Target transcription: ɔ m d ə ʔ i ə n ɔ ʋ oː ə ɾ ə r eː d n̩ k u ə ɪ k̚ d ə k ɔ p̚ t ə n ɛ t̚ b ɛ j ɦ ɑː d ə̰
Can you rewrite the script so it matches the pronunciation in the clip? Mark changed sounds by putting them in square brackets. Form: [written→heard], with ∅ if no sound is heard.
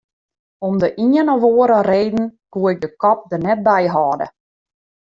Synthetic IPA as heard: ɔ m d ə ʔ i ə n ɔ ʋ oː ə ɾ ə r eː d n̩ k u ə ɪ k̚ d ə k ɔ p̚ [t→d] ə n ɛ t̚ b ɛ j ɦ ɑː d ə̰